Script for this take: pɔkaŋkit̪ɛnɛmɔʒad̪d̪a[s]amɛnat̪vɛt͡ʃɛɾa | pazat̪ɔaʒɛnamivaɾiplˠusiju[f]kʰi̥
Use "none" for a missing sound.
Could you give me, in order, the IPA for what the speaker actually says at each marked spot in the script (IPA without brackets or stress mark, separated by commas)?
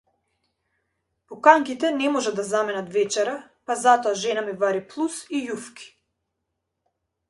z, f